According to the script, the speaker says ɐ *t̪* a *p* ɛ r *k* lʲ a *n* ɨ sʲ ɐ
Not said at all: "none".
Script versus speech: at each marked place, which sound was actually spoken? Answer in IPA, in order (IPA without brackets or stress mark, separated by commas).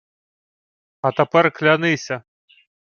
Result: t̪, p, k, n